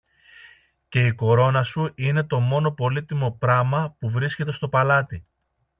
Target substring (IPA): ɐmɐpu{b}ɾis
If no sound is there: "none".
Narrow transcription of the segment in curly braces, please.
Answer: v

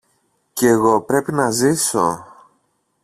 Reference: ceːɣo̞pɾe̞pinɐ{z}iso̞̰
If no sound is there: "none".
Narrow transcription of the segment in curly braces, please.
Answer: z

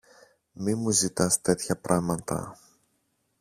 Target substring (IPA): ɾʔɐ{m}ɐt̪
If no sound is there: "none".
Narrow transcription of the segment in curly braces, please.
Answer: m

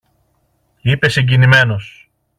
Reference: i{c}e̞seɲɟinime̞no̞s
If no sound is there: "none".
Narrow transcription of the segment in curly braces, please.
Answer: p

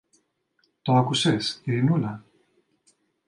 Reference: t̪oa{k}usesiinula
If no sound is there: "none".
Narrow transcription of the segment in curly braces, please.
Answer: k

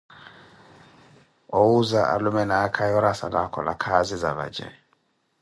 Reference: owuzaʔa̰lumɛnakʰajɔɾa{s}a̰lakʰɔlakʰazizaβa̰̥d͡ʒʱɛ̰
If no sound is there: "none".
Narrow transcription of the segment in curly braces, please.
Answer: s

